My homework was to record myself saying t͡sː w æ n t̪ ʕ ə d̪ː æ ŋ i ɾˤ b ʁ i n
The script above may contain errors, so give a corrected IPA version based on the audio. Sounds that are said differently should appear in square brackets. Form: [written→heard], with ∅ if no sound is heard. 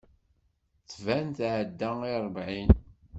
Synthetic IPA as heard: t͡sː [w→v] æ n t̪ ʕ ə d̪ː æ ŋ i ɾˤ b [ʁ→ʕ] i n